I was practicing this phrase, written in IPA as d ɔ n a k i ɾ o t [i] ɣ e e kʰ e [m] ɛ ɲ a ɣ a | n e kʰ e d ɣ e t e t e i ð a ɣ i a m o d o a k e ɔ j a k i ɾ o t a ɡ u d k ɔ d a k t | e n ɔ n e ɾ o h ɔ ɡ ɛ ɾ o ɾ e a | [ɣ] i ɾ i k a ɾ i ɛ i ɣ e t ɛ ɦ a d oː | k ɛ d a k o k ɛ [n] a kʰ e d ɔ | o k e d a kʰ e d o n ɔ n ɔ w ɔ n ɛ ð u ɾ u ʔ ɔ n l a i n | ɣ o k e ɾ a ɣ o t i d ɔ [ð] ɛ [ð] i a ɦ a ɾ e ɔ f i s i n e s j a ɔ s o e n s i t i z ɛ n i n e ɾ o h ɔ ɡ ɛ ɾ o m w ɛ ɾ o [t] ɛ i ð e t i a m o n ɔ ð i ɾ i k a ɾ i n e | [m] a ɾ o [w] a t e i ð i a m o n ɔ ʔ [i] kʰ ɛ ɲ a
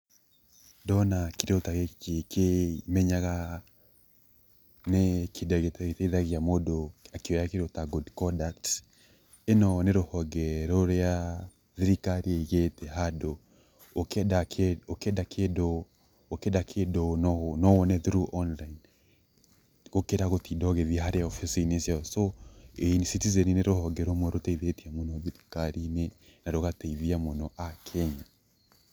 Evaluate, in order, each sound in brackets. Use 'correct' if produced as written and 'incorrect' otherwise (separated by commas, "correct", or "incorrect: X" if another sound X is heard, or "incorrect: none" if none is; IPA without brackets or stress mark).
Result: incorrect: a, correct, incorrect: ð, incorrect: d, incorrect: ɣ, correct, correct, incorrect: n, incorrect: ɣ, incorrect: a